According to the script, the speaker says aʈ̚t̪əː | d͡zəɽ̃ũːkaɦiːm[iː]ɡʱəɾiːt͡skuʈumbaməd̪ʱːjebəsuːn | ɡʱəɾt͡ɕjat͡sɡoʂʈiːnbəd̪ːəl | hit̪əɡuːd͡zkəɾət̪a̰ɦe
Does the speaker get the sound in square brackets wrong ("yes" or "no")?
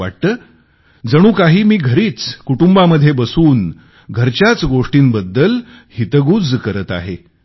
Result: no